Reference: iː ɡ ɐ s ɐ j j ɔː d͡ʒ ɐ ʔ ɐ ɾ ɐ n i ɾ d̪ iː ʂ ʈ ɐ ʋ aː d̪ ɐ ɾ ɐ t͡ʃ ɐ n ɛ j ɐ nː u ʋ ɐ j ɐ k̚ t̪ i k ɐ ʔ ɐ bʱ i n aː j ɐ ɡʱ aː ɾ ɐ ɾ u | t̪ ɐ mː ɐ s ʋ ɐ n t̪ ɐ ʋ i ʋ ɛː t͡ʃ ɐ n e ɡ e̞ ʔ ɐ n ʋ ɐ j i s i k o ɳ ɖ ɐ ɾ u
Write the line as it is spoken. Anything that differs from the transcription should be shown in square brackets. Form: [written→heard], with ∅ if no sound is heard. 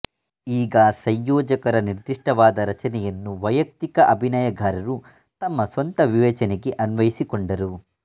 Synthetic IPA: iː ɡ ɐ s ɐ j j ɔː d͡ʒ ɐ [ʔ→k] ɐ ɾ ɐ n i ɾ d̪ [iː→i] ʂ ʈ ɐ ʋ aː d̪ ɐ ɾ ɐ t͡ʃ ɐ n ɛ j ɐ nː u ʋ ɐ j ɐ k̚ t̪ i k ɐ ʔ ɐ bʱ i n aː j ɐ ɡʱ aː ɾ ɐ ɾ u | t̪ ɐ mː ɐ s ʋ ɐ n t̪ ɐ ʋ i ʋ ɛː t͡ʃ ɐ n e ɡ e̞ ʔ ɐ n ʋ ɐ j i s i k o ɳ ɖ ɐ ɾ u